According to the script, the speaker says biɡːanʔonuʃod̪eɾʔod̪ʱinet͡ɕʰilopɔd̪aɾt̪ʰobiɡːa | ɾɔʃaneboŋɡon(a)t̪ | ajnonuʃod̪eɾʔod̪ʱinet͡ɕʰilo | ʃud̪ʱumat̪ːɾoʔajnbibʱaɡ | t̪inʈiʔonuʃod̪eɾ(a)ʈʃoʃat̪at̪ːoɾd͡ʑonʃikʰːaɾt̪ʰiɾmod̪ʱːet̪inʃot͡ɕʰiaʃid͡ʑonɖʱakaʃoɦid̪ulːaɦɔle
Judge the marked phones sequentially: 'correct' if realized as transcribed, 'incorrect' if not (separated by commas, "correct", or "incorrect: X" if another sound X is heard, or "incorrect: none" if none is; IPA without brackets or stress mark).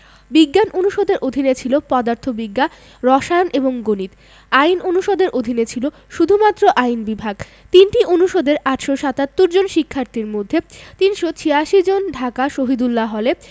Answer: incorrect: i, correct